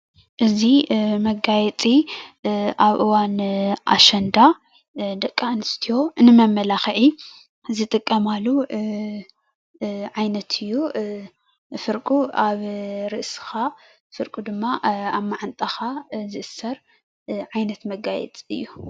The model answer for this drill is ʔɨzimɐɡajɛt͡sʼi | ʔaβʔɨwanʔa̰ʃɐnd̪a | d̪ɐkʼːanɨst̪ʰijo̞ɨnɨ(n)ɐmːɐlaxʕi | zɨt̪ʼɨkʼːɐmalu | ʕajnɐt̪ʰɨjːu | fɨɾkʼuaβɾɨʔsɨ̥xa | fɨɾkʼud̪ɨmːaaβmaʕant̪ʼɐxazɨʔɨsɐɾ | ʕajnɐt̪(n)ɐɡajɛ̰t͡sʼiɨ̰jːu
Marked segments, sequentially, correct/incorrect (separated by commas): incorrect, incorrect